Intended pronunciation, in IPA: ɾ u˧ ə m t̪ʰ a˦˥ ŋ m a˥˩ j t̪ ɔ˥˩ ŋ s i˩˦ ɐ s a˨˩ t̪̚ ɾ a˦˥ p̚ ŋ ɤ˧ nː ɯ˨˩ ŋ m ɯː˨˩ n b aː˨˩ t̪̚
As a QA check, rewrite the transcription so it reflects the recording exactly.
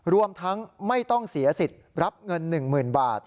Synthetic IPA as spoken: ɾ u˧ ə m t̪ʰ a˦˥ ŋ m a˥˩ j t̪ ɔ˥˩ ŋ s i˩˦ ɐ s i˨˩ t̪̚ ɾ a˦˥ p̚ ŋ ɤ˧ nː ɯ˨˩ ŋ m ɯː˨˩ n b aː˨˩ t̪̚

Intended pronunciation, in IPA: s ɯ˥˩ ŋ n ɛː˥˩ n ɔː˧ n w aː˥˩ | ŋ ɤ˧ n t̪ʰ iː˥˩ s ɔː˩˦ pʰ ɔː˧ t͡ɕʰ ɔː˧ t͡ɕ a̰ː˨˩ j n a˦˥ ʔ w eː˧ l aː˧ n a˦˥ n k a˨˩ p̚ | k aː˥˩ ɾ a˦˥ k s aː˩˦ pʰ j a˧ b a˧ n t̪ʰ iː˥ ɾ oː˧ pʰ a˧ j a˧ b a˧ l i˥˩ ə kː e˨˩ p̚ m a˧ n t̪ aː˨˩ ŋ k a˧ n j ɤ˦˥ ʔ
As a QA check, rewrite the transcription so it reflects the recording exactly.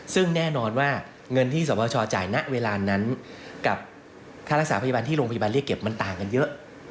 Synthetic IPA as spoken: s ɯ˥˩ ŋ n ɛː˥˩ n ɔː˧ n w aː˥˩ | ŋ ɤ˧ n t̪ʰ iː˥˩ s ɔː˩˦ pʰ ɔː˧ t͡ɕʰ ɔː˧ t͡ɕ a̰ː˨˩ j n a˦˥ ʔ w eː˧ l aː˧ n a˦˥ n k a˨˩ p̚ | kʰ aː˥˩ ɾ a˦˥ k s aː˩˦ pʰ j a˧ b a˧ n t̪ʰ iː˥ ɾ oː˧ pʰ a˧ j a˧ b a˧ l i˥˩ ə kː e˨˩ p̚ m a˧ n t̪ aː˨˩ ŋ k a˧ n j ɤ˦˥ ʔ

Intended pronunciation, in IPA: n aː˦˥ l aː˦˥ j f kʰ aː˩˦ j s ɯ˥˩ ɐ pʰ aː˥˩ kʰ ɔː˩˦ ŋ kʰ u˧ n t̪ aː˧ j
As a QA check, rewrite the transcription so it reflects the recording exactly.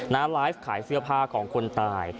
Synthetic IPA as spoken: n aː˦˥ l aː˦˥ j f kʰ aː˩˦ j s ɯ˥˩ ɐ pʰ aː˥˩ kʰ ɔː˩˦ ŋ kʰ o˧ n t̪ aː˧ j

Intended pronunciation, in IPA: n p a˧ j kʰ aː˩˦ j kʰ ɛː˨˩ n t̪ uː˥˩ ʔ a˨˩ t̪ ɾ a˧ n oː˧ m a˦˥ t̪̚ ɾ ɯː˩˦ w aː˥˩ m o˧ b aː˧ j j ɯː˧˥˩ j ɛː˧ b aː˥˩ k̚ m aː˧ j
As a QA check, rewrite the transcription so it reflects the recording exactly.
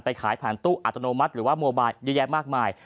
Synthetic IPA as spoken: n p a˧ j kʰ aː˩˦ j pʰ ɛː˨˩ n t̪ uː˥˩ ʔ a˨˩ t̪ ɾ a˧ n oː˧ m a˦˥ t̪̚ ɾ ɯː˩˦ w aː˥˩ m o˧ b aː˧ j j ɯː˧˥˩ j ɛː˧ m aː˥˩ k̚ m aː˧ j

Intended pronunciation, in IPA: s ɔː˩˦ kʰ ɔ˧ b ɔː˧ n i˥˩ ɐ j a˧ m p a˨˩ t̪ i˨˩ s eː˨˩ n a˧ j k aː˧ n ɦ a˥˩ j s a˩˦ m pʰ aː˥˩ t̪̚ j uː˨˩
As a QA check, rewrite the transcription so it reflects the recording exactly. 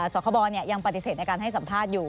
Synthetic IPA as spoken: s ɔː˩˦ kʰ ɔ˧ b ɔː˧ n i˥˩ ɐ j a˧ ŋ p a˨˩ t̪ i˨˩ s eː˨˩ n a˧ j k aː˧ n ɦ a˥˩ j s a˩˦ m pʰ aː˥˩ t̪̚ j uː˨˩

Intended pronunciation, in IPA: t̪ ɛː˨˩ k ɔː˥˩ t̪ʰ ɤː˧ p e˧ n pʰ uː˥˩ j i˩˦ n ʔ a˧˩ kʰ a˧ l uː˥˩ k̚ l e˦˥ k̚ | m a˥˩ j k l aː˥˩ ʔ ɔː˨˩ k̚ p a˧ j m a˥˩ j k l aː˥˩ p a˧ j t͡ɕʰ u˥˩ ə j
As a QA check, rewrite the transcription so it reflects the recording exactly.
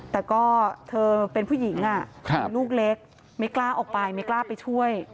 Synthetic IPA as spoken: t̪ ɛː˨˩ k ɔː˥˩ t̪ʰ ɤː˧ p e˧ n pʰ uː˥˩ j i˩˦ ŋ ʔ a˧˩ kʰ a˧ l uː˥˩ k̚ l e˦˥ k̚ | m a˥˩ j k l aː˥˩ ʔ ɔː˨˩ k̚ p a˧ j m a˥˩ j k l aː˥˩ p a˧ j t͡ɕʰ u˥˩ ə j

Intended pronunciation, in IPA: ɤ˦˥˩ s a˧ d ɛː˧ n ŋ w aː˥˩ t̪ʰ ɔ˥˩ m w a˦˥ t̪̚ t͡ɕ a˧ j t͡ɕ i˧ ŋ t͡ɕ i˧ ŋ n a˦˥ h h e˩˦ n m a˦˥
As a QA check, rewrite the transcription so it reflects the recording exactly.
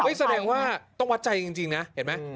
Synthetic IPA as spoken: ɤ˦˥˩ s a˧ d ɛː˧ ŋ w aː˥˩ t̪ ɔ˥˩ ŋ w a˦˥ t̪̚ t͡ɕ a˧ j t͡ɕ i˧ ŋ t͡ɕ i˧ ŋ n a˦˥ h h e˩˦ n m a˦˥

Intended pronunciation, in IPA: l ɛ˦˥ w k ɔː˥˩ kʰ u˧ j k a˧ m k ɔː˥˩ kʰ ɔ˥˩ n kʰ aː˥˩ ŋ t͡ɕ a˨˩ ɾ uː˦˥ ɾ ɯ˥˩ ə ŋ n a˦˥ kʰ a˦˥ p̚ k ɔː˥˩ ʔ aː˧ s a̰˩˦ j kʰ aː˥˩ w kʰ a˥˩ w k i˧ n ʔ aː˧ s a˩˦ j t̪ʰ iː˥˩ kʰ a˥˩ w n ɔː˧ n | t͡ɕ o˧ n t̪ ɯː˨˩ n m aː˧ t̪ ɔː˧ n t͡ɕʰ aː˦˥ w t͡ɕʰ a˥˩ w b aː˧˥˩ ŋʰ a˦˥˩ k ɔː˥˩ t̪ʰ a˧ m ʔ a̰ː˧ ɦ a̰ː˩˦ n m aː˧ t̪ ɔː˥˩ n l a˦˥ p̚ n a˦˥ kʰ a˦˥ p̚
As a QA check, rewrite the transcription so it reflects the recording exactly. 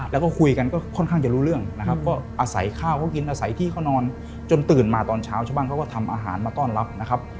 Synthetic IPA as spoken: l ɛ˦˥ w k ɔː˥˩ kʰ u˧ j k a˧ n k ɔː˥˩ kʰ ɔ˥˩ n kʰ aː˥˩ ŋ t͡ɕ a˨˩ ɾ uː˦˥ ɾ ɯ˥˩ ə ŋ n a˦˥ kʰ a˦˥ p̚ k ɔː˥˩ ʔ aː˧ s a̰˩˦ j kʰ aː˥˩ w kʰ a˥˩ w k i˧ n ʔ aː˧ s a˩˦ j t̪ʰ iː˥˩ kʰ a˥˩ w n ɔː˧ n | t͡ɕ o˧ n t̪ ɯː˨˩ n m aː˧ t̪ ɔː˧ n t͡ɕʰ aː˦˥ w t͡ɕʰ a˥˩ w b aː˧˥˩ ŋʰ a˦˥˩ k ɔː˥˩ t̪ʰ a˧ m ʔ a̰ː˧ ɦ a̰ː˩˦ n m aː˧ t̪ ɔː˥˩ n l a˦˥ p̚ n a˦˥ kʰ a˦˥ p̚

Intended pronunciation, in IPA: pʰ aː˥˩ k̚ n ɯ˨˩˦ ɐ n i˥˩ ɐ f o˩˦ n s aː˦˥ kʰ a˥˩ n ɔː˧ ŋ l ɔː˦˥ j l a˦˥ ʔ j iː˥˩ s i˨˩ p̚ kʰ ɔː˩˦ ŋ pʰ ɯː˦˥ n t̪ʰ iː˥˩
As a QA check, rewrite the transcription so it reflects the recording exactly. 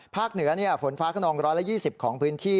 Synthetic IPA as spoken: pʰ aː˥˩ k̚ n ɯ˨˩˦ ɐ n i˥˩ ɐ f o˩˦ n f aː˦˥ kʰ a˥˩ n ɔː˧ ŋ ɾ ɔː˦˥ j l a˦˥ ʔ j iː˥˩ s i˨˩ p̚ kʰ ɔː˩˦ ŋ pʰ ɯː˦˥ n t̪ʰ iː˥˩

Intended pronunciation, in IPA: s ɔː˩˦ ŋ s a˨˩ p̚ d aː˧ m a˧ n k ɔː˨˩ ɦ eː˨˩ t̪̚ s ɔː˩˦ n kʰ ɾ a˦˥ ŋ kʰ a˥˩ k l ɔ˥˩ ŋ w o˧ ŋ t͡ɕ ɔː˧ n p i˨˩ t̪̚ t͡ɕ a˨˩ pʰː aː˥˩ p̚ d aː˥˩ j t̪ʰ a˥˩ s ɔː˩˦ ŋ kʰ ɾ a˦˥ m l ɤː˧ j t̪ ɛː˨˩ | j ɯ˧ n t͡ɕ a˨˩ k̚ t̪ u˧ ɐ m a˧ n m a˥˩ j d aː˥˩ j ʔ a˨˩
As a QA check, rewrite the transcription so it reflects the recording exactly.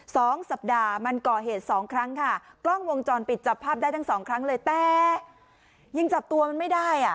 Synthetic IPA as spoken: s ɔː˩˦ ŋ s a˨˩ p̚ d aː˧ m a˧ n k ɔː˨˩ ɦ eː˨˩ t̪̚ s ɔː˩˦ ŋ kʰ ɾ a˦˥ ŋ kʰ a˥˩ k l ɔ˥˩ ŋ w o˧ ŋ t͡ɕ ɔː˧ n p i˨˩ t̪̚ t͡ɕ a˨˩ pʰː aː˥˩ p̚ d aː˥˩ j t̪ʰ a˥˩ s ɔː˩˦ ŋ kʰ ɾ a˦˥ ŋ l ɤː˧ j t̪ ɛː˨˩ | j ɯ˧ ŋ t͡ɕ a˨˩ p̚ t̪ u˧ ɐ m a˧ n m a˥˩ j d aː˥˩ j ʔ a˨˩

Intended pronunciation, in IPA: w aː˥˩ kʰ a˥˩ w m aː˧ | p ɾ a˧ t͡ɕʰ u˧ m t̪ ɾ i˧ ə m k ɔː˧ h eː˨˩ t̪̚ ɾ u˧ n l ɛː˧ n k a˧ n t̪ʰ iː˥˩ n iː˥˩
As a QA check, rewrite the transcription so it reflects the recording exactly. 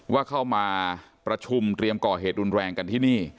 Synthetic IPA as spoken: w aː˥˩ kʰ a˥˩ w m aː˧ | p ɾ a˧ t͡ɕʰ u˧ m t̪ ɾ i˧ ə m k ɔː˨˩ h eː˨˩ t̪̚ ɾ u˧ n ɾ ɛː˧ ŋ k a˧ n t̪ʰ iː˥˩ n iː˥˩

